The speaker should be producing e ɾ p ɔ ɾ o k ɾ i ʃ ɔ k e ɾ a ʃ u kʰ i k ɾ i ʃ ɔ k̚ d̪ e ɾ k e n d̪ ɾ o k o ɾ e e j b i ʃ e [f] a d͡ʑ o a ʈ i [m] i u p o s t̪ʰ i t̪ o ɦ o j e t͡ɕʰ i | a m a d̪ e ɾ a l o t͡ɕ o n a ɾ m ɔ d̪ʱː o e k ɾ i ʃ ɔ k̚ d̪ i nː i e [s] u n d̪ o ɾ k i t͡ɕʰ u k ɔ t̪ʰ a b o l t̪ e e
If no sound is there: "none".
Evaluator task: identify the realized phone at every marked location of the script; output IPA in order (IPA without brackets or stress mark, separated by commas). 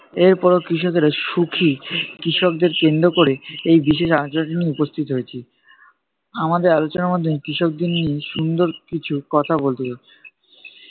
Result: ʃ, n, ʃ